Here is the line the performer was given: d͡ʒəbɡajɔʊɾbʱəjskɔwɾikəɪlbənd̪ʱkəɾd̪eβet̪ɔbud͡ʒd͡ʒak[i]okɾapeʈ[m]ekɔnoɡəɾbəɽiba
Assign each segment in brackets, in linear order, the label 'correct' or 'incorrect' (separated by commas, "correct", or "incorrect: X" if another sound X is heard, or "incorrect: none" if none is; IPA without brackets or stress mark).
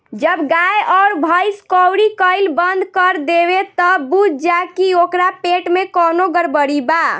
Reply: correct, correct